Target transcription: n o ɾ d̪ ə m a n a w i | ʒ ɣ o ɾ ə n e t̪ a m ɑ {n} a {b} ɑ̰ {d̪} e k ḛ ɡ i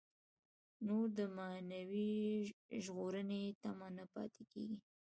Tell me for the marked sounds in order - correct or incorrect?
correct, incorrect: p, incorrect: t̪

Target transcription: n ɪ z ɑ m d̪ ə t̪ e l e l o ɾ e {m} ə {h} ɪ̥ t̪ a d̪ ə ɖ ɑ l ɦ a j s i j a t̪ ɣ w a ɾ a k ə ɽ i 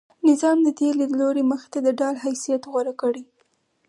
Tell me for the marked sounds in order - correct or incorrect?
correct, incorrect: x

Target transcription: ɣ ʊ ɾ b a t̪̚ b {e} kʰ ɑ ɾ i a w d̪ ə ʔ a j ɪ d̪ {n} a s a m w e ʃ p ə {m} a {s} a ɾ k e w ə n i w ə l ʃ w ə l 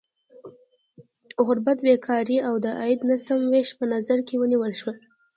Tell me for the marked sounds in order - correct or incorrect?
correct, correct, incorrect: n, incorrect: z

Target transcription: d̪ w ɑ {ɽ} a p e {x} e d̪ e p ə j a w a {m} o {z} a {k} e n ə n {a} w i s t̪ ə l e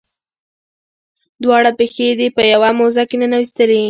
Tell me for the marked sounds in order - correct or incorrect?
correct, correct, correct, correct, correct, correct

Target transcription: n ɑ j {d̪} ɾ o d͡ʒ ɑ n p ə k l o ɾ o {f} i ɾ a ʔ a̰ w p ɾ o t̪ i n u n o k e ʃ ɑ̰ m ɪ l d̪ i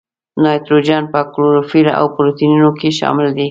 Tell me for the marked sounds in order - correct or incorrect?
incorrect: t̪, correct

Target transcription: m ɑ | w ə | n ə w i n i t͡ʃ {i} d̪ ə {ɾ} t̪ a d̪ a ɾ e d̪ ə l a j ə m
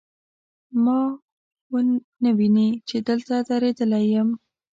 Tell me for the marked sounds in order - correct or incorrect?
incorrect: e, incorrect: l

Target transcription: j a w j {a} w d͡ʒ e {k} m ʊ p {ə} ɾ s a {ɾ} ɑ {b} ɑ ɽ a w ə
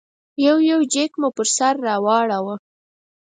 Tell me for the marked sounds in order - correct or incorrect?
correct, correct, correct, incorrect: ɾː, incorrect: w

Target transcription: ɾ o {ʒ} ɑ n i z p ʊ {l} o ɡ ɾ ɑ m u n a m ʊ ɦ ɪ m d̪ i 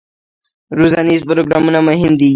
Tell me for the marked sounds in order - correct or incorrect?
incorrect: z, incorrect: ɾ

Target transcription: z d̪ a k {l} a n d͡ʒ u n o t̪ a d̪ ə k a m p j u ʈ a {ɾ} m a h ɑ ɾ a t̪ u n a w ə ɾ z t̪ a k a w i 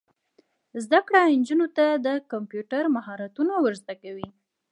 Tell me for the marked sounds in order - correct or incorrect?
incorrect: ɽ, correct

